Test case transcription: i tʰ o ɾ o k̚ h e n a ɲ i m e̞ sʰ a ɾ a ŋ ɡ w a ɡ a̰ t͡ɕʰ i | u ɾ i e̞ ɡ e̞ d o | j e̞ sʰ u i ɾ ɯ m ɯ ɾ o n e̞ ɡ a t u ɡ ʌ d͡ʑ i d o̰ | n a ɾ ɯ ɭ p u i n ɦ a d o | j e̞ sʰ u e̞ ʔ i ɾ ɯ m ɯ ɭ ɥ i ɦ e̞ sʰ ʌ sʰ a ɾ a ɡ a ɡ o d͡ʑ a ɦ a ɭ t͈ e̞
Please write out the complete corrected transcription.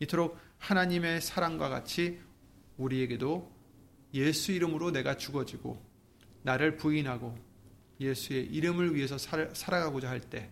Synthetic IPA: i tʰ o ɾ o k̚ h a n a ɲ i m e̞ sʰ a ɾ a ŋ ɡ w a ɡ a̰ t͡ɕʰ i | u ɾ i e̞ ɡ e̞ d o | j e̞ sʰ u i ɾ ɯ m ɯ ɾ o n e̞ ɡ a t͡ɕ u ɡ ʌ d͡ʑ i ɡ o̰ | n a ɾ ɯ ɭ p u i n ɦ a ɡ o | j e̞ sʰ u e̞ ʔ i ɾ ɯ m ɯ ɭ ɥ i ɦ e̞ sʰ ʌ sʰ a ɾ a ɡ a ɡ o d͡ʑ a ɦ a ɭ t͈ e̞